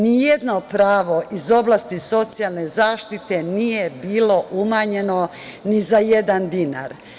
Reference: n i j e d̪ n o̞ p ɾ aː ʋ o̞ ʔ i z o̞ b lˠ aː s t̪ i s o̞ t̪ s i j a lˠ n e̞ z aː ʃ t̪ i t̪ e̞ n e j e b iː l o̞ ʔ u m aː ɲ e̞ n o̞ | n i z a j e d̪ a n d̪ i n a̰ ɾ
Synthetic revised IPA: n i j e d̪ n o̞ p ɾ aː ʋ o̞ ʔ i z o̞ b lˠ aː s t̪ i s o̞ t̪ s i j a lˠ n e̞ z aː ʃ t̪ i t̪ e̞ n i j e b iː l o̞ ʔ u m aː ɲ e̞ n o̞ | n i z a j e d̪ a n d̪ i n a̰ ɾ